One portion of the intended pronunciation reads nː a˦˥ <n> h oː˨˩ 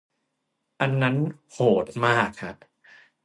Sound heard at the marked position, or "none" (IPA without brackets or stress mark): n